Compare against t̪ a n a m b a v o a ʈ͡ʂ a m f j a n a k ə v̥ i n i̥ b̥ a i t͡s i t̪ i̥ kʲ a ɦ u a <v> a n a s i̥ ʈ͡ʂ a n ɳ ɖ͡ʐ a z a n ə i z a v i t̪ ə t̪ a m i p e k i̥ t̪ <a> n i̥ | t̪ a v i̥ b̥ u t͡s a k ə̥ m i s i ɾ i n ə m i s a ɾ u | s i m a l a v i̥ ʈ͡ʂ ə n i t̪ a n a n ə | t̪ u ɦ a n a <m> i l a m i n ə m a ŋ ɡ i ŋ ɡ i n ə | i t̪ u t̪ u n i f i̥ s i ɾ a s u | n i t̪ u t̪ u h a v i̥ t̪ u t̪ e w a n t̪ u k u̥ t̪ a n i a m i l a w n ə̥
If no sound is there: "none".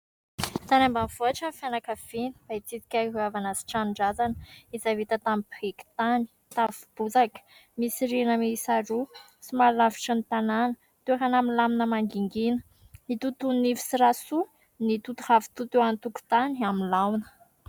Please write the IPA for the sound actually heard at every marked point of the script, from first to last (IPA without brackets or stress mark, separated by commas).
v, a, m